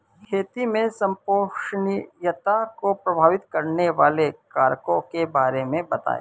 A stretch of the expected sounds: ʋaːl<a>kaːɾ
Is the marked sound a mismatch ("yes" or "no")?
yes